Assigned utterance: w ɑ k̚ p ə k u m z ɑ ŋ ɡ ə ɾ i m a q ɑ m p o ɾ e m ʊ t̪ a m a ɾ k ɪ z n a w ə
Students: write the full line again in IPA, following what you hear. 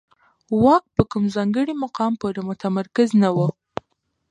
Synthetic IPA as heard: w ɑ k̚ p ə k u m z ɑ ŋ ɡ ə ɽ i m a q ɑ m p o ɾ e m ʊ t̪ a m a ɾ k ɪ z n a w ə